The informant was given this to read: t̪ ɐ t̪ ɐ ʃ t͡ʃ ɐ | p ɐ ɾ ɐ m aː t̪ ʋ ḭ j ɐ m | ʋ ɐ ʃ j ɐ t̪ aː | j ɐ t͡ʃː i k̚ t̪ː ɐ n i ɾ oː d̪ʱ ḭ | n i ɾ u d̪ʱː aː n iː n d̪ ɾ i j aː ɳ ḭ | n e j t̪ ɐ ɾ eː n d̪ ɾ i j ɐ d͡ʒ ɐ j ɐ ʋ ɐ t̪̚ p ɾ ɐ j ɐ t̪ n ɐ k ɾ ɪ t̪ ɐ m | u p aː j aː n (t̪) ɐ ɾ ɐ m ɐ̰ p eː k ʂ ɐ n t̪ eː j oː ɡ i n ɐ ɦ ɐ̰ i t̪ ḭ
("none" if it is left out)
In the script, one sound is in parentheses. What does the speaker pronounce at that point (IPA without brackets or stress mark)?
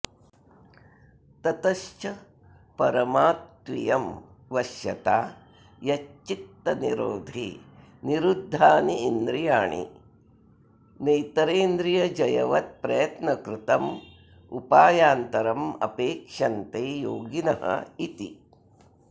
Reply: t̪